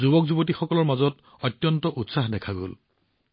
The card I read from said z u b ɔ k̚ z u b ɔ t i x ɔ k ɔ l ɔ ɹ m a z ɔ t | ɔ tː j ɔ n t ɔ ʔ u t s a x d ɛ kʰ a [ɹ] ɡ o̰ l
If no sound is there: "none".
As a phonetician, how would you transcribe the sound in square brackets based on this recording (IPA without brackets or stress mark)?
none